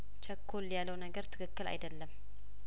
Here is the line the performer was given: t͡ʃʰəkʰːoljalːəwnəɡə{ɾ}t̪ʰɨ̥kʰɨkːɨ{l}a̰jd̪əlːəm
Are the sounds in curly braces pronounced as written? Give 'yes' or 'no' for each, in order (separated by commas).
yes, yes